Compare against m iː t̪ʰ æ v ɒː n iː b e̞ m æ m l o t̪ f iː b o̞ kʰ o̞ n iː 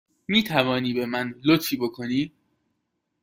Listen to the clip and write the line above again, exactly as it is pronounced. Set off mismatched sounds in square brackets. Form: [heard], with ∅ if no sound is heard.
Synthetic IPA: m iː t̪ʰ æ v ɒː n iː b e̞ m æ [n] l o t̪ f iː b o̞ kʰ o̞ n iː